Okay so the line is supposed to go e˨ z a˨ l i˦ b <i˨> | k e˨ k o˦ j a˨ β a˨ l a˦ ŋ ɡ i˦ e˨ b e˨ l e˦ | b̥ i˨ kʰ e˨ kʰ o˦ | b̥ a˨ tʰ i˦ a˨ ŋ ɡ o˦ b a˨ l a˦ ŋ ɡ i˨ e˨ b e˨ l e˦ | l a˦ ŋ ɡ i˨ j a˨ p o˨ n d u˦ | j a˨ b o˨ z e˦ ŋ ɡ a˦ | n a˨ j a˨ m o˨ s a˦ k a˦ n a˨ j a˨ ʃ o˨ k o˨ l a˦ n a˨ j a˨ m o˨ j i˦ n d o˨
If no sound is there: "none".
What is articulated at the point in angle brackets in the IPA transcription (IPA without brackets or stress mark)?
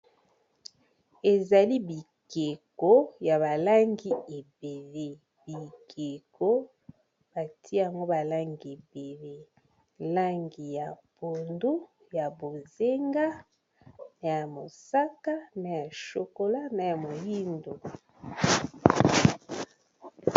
i˨